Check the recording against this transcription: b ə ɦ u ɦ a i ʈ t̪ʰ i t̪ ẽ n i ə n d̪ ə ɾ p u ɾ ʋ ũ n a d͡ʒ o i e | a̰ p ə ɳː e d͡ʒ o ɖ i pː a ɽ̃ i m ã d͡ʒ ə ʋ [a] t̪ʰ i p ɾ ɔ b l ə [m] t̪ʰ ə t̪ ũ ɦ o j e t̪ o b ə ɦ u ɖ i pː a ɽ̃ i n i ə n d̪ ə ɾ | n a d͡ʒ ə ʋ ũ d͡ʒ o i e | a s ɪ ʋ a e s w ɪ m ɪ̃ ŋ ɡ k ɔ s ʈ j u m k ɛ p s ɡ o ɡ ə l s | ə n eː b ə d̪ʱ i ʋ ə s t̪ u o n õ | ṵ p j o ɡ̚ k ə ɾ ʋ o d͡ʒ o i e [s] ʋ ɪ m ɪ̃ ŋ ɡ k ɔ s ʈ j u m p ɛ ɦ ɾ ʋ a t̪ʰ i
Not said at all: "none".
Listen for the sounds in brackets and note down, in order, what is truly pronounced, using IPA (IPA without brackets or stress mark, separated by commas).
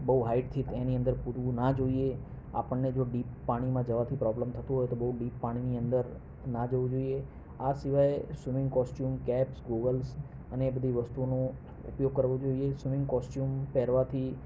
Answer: a, m, s